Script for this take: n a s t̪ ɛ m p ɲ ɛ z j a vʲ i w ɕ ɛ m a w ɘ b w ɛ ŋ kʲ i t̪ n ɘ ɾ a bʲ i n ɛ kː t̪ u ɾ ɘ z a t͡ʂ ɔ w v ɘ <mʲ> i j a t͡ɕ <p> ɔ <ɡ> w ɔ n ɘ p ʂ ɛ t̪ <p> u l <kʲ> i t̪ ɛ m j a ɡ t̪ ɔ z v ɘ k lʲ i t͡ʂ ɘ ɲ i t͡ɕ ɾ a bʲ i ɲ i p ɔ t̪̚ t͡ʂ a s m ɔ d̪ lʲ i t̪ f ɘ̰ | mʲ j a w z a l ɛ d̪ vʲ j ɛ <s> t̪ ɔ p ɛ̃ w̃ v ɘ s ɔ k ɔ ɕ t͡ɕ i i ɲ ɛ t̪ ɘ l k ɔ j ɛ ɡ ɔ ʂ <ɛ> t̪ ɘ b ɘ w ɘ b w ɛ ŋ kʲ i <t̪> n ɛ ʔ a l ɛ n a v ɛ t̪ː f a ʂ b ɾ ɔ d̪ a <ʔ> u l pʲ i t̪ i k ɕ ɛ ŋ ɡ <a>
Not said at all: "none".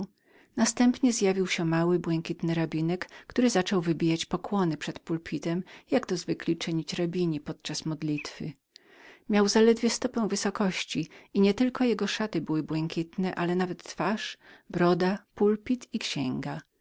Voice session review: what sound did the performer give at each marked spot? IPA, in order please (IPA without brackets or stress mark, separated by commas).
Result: bʲ, p, k, p, pʲ, s, a, t̪, p, a